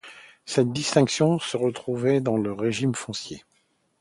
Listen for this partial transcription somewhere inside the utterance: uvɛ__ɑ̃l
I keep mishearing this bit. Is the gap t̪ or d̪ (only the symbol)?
d̪